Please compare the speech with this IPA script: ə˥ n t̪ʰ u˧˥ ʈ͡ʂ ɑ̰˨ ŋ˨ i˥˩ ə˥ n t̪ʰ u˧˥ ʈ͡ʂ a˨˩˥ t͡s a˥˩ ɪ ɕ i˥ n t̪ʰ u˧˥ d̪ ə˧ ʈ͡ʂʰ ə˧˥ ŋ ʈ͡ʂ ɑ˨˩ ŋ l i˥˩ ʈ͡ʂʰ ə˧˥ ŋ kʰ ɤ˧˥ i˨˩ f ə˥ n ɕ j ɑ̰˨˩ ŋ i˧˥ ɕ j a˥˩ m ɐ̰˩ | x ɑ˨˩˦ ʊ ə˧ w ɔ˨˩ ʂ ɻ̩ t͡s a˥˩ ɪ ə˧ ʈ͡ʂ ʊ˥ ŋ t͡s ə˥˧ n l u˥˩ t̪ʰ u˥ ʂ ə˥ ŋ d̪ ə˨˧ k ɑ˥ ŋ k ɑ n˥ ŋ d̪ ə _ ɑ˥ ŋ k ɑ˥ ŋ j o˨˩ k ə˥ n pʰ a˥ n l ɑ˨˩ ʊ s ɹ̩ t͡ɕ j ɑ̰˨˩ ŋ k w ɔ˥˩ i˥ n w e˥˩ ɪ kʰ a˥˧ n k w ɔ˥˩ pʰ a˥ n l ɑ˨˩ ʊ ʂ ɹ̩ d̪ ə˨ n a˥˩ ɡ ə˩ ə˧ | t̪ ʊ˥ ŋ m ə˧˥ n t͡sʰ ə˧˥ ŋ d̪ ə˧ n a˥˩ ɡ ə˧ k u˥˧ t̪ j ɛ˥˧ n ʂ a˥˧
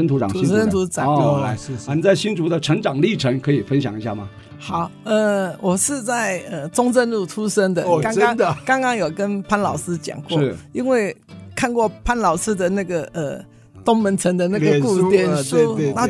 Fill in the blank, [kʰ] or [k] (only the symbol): k